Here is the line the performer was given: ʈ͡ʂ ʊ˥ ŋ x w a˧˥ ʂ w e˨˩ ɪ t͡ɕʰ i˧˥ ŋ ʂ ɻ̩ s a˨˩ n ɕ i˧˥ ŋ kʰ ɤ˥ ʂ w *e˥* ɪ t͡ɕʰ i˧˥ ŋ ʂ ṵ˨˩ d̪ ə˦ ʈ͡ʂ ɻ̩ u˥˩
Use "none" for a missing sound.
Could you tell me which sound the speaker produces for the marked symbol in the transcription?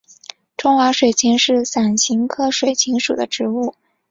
e˨˩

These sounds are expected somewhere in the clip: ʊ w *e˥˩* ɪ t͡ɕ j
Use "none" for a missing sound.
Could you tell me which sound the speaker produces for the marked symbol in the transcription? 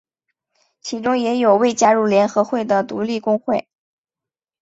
e˥˩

